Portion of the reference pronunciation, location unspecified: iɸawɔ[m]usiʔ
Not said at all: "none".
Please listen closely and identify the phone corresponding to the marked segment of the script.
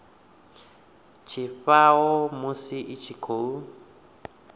m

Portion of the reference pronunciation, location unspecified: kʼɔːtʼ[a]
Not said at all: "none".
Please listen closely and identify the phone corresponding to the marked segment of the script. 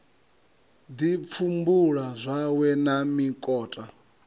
a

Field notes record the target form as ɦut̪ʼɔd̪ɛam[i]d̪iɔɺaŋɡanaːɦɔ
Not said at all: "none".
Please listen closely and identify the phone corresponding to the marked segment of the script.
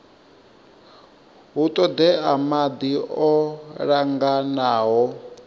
a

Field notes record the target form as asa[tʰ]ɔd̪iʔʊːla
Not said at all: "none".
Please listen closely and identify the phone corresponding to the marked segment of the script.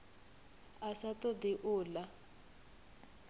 t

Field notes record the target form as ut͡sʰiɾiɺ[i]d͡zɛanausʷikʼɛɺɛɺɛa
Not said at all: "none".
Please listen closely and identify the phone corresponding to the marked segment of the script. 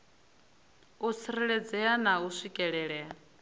ɛ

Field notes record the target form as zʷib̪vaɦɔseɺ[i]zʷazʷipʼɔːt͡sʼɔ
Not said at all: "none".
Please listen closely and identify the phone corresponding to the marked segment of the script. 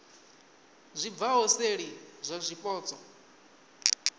i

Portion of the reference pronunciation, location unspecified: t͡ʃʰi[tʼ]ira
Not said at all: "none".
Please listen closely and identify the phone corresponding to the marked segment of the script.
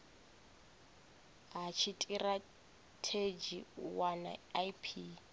tʼ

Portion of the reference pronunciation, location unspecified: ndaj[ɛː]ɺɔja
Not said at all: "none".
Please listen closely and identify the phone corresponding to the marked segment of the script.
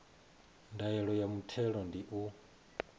ɛ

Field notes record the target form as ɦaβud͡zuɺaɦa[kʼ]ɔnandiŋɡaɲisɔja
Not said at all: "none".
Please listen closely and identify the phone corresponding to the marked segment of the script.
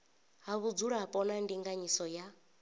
pʼ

